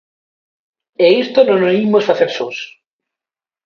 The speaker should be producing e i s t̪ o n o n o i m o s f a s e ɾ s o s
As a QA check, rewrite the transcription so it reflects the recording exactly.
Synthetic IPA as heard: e i s t̪ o n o n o i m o s f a θ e ɾ s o s